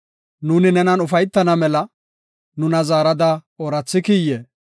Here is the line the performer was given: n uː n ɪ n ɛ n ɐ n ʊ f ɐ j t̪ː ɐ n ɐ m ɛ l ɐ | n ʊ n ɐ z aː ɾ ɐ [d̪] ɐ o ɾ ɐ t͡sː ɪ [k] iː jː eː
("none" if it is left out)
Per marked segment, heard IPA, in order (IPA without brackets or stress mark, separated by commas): d̪, k